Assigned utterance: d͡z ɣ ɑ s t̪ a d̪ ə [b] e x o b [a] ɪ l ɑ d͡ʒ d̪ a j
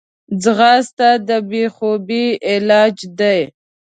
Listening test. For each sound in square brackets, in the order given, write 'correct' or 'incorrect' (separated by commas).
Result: correct, incorrect